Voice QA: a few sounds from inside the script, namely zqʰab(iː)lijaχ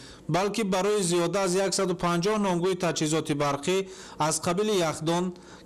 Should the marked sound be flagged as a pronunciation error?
yes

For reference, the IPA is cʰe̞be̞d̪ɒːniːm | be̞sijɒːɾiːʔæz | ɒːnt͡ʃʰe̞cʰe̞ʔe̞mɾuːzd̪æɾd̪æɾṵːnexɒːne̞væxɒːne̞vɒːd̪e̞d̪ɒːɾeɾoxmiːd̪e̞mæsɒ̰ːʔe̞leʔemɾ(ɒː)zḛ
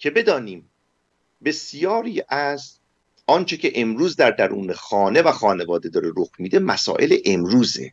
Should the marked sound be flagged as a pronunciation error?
yes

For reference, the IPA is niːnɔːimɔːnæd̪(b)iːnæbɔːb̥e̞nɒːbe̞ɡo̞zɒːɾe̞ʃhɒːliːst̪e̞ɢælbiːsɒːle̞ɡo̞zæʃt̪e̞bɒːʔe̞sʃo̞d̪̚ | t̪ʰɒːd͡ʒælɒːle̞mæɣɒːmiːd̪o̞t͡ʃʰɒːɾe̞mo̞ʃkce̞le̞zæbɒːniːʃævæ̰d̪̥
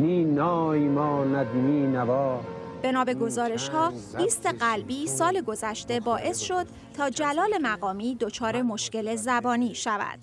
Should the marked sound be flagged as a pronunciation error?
yes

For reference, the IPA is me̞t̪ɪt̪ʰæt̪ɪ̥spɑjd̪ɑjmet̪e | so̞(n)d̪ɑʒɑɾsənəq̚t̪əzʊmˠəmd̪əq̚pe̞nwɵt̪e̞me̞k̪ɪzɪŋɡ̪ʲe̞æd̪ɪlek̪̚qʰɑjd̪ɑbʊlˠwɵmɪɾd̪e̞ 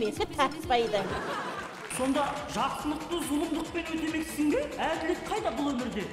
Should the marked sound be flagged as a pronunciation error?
no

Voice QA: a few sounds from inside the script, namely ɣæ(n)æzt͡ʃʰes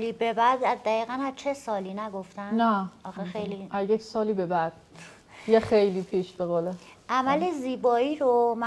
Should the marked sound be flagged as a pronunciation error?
no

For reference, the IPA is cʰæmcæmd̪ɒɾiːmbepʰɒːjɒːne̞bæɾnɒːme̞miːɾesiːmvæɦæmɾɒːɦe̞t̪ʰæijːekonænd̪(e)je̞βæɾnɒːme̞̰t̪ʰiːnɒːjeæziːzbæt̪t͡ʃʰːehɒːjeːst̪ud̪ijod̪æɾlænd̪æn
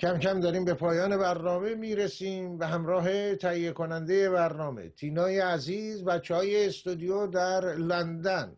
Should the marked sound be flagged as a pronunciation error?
no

